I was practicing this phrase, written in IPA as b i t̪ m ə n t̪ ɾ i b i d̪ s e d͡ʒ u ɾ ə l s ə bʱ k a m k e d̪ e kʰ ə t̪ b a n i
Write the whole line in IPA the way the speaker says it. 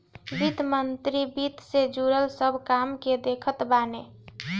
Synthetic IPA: b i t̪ m ə n t̪ ɾ i b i t̪ s e d͡ʒ u ɾ ə l s ə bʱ k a m k e d̪ e kʰ ə t̪ b a n e